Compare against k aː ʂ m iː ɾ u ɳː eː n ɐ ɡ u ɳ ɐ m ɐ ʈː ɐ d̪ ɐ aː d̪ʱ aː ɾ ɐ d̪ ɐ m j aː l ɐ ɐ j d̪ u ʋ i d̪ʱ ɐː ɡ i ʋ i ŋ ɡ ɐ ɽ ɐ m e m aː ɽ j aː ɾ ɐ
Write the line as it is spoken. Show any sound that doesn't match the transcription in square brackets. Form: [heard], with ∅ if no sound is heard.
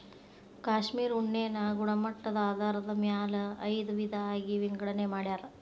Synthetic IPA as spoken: k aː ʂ m iː ɾ u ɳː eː n ɐ ɡ u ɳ ɐ m ɐ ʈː ɐ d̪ ɐ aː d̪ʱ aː ɾ ɐ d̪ ɐ m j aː l ɐ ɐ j d̪ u ʋ i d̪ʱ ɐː ɡ i ʋ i ŋ ɡ ɐ ɽ ɐ [n] e m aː ɽ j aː ɾ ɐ